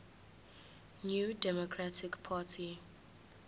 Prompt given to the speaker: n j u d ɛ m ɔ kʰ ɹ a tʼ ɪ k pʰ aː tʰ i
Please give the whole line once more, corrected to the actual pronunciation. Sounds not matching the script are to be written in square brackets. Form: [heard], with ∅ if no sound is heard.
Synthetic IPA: n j u d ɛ m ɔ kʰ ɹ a [t] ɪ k pʰ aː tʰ i